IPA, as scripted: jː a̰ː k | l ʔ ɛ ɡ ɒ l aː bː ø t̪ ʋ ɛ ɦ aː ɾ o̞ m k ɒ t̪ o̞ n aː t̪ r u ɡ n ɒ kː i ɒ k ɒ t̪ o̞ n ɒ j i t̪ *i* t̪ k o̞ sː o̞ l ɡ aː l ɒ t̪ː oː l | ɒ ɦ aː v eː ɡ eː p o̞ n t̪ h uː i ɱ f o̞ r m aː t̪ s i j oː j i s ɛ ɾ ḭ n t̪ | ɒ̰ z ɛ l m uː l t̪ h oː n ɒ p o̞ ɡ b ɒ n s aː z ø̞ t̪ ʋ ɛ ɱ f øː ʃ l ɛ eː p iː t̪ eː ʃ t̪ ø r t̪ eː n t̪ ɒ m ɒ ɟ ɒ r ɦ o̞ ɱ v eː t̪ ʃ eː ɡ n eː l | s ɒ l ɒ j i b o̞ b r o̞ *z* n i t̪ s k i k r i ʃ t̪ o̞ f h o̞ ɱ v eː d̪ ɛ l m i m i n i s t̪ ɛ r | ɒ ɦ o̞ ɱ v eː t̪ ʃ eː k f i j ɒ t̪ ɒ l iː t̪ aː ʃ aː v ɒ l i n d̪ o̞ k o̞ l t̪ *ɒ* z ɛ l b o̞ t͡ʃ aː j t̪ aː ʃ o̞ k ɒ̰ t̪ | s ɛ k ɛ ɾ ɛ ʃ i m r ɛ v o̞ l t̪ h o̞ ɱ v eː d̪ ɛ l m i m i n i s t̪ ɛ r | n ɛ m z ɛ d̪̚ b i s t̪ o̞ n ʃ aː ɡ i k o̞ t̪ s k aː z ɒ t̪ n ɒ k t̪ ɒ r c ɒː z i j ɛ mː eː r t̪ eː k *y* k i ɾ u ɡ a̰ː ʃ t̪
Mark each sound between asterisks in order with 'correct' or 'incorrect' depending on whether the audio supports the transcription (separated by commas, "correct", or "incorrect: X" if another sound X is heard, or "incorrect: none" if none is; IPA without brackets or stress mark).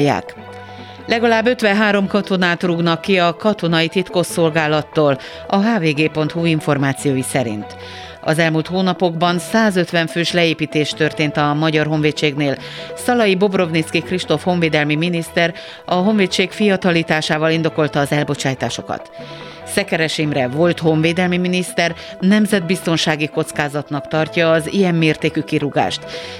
correct, incorrect: v, incorrect: ɒː, correct